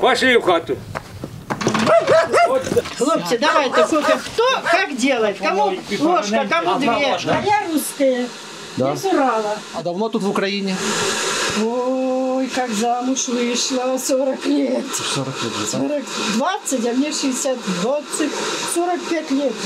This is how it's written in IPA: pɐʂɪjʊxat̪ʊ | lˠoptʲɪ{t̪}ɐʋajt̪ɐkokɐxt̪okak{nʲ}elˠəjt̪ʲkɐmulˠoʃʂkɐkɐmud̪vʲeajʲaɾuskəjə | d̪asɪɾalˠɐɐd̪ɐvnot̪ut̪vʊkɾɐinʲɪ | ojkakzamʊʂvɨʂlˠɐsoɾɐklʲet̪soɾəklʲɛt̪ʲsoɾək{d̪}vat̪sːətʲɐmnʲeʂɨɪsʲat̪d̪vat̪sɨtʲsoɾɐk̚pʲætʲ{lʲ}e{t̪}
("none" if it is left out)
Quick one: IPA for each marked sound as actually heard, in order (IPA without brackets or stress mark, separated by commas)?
d̪, dʲ, d̪, lʲ, t̪